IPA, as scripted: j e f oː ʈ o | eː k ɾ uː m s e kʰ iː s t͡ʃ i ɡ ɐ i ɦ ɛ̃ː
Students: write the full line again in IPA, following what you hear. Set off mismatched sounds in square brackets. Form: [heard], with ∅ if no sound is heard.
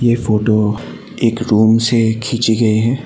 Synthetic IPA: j e f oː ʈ o | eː k ɾ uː m s e kʰ iː [∅] t͡ʃ i ɡ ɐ i ɦ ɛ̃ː

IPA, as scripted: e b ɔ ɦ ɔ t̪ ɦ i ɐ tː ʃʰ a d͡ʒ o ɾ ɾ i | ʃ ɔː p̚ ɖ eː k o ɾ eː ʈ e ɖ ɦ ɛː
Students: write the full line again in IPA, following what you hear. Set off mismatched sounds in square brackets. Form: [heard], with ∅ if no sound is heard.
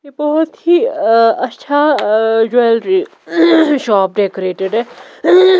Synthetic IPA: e b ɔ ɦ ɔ t̪ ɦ i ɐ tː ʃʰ a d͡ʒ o [l] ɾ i | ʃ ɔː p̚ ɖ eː k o ɾ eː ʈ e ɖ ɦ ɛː

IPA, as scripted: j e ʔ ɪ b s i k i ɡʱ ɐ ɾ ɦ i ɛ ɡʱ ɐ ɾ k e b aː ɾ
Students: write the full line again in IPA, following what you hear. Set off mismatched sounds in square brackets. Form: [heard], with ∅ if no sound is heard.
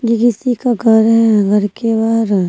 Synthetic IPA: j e [k] ɪ [∅] s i k [a] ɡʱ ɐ ɾ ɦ [ɛ] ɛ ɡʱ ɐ ɾ k e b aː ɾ

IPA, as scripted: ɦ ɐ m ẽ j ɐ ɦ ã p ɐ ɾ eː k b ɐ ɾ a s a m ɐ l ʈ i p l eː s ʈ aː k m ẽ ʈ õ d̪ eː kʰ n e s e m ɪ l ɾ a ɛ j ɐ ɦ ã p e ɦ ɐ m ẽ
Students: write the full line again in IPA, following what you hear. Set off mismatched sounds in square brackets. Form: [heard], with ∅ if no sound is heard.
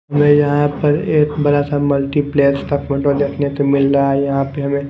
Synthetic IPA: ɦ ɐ m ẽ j ɐ ɦ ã p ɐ ɾ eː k b ɐ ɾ a s a m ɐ l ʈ i p l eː s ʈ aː k m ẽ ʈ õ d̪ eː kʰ n e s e m ɪ l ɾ a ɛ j ɐ ɦ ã p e ɦ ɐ m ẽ

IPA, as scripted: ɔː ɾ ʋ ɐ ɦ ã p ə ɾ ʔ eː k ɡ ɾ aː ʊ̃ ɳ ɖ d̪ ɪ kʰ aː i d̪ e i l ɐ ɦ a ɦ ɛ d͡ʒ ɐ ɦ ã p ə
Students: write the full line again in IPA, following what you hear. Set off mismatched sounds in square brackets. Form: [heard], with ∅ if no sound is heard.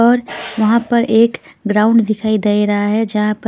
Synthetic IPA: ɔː ɾ ʋ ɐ ɦ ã p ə ɾ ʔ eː k ɡ ɾ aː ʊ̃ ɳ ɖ d̪ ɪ kʰ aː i d̪ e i [ɾ] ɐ ɦ a ɦ ɛ d͡ʒ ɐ ɦ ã p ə

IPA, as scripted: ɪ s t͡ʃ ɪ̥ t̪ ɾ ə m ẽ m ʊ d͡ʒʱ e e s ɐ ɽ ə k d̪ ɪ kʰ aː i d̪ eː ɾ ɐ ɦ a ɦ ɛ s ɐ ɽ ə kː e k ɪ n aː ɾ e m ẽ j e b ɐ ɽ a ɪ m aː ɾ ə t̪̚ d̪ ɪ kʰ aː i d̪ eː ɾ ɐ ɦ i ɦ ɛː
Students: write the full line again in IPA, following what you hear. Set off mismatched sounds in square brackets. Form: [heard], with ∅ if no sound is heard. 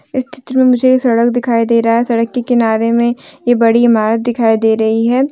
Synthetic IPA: ɪ s t͡ʃ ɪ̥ t̪ ɾ ə m ẽ m ʊ d͡ʒʱ e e s ɐ ɽ ə k d̪ ɪ kʰ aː i d̪ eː ɾ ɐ ɦ a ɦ ɛ s ɐ ɽ ə kː e k ɪ n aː ɾ e m ẽ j e b ɐ ɽ [i] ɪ m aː ɾ ə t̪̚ d̪ ɪ kʰ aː i d̪ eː ɾ ɐ ɦ i ɦ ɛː

